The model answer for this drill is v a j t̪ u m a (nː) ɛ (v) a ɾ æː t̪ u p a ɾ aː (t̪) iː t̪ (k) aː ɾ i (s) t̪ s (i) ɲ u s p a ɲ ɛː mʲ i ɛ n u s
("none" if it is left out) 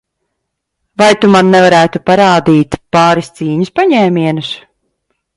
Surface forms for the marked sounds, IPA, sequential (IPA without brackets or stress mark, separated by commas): nː, v, d̪, p, s, iː